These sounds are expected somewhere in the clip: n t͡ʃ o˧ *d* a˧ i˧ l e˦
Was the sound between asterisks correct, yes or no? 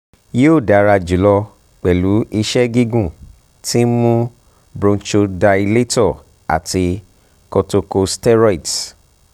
yes